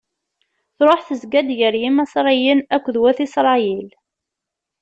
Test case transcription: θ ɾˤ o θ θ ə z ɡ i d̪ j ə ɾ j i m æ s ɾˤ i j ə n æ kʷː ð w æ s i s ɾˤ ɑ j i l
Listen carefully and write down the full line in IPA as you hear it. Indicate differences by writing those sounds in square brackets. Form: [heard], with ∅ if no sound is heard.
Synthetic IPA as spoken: θ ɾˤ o [ħ] θ ə z ɡ [æ] d̪ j ə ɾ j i m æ s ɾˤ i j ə n æ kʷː ð w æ [θ] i s ɾˤ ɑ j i l